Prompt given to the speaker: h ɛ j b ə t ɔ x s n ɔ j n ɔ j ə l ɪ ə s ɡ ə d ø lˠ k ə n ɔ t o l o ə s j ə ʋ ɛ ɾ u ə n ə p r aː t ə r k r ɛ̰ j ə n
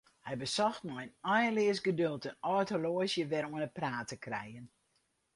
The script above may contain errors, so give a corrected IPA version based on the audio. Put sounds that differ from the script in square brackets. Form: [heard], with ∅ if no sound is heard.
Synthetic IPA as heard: h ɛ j b ə [s] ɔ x [t] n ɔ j n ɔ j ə l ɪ ə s ɡ ə d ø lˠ [t] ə n ɔ t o l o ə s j ə ʋ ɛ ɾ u ə n ə p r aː t ə [∅] k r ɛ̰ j ə n